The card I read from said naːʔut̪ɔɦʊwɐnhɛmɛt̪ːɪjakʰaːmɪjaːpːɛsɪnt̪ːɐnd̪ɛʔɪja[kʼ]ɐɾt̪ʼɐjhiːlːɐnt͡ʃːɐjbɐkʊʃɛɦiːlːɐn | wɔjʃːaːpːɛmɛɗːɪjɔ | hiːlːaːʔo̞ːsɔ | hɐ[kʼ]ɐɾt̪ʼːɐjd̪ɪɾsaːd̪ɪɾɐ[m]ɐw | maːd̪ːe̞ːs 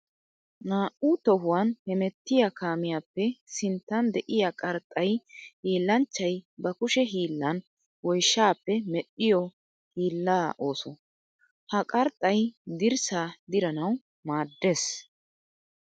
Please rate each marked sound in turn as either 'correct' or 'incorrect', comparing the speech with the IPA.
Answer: correct, correct, incorrect: n

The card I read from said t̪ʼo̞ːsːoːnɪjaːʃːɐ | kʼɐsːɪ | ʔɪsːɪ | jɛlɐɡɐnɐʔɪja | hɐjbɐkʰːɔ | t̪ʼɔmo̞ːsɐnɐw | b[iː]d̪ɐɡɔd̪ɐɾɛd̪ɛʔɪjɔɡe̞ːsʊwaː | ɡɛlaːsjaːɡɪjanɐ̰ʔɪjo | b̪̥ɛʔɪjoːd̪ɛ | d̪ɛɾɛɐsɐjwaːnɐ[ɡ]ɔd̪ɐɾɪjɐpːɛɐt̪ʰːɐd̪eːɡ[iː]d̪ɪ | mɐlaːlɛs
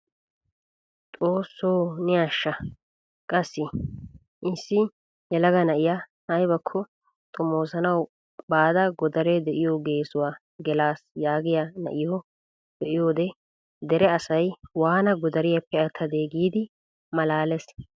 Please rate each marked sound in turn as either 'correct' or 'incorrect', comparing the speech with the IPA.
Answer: incorrect: aː, correct, correct

